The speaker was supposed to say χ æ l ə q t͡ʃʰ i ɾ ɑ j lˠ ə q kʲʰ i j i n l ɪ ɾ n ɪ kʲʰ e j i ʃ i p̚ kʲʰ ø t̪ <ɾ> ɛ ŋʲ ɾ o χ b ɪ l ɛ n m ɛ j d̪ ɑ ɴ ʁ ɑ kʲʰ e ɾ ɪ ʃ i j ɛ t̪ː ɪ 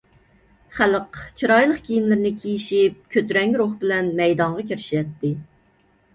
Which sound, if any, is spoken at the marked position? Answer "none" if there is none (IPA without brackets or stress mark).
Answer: ɾ